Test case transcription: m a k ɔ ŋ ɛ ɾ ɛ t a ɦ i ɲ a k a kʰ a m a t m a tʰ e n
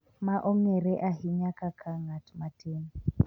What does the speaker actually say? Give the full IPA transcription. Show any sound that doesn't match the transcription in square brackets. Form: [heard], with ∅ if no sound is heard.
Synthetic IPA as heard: m a [ʔ] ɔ ŋ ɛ ɾ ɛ [ʔ] a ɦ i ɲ a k a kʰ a [ŋ] a t m a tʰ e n